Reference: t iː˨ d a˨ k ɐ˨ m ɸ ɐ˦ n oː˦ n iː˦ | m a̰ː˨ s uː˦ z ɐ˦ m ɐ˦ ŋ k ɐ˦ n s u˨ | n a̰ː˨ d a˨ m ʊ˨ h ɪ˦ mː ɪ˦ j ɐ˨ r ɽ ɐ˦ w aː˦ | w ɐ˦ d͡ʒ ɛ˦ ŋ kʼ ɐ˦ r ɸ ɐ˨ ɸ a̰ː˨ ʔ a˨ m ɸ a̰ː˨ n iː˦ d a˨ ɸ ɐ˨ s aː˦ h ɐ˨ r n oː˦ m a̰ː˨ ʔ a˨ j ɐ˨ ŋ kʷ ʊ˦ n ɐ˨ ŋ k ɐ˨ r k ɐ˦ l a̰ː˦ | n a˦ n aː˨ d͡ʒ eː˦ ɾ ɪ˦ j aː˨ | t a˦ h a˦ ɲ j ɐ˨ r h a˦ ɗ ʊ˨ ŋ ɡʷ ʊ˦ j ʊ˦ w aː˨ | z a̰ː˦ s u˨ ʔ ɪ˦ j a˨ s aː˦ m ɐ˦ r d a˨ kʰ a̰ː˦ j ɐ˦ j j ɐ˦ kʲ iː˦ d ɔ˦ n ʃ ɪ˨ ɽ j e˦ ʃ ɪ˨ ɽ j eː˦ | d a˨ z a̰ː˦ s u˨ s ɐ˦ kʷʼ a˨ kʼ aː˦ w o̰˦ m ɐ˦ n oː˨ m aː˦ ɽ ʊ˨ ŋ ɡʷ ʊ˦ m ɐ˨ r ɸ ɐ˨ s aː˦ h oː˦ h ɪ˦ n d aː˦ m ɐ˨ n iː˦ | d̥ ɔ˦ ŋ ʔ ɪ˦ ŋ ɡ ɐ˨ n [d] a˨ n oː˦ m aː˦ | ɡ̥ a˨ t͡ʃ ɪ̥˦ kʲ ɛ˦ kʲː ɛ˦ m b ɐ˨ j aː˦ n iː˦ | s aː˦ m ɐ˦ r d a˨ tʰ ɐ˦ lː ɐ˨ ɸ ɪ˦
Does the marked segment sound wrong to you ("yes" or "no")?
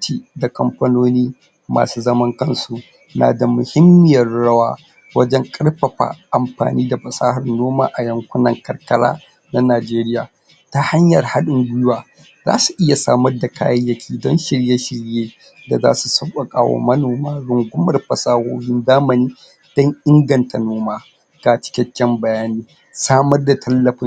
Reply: yes